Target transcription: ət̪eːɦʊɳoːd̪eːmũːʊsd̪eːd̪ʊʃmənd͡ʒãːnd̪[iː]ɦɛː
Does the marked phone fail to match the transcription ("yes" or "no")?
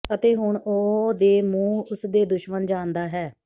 yes